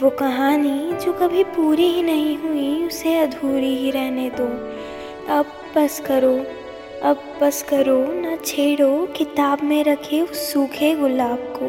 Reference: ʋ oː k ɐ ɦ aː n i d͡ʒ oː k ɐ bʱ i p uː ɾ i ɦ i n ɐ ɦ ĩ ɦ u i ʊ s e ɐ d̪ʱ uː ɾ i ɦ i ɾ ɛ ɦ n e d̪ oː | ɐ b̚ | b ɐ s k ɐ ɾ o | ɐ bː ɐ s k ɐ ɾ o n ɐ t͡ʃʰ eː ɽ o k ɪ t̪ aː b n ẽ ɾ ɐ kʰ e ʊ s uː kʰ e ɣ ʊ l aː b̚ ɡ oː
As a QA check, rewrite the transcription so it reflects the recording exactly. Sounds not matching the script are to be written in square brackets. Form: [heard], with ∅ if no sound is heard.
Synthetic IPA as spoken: ʋ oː k ɐ ɦ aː n i d͡ʒ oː k ɐ bʱ i p uː ɾ i ɦ i n ɐ ɦ ĩ ɦ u i ʊ s e ɐ d̪ʱ uː ɾ i ɦ i ɾ ɛ ɦ n e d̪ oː | ɐ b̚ | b ɐ s k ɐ ɾ o | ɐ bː ɐ s k ɐ ɾ o n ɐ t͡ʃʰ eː ɽ o k ɪ t̪ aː b [m] ẽ ɾ ɐ kʰ e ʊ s uː kʰ e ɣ ʊ l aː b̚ [k] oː